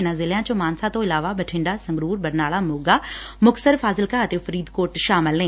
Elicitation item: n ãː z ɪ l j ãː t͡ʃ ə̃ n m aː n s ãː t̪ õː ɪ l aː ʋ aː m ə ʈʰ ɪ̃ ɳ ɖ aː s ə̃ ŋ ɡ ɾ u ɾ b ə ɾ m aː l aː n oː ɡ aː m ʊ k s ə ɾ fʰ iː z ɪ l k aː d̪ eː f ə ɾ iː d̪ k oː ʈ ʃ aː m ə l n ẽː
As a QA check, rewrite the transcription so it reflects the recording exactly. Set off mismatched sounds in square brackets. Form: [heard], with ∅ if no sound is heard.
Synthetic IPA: n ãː z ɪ l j ãː t͡ʃ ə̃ [∅] m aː n s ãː t̪ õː ɪ l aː ʋ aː [b] ə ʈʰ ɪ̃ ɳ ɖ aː s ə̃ ŋ ɡ ɾ [uː] ɾ b ə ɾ [n] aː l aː [m] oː ɡ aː m ʊ k s ə ɾ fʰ [aː] z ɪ l k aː [t̪] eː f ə ɾ iː d̪ k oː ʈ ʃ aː m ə l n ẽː